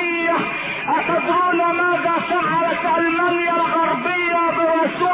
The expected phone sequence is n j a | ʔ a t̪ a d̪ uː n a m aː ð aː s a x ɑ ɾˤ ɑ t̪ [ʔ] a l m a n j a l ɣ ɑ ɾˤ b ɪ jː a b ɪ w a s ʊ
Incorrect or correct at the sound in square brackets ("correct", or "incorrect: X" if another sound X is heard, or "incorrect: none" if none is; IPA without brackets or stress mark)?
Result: correct